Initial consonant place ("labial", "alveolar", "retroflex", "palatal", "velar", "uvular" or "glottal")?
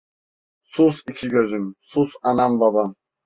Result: alveolar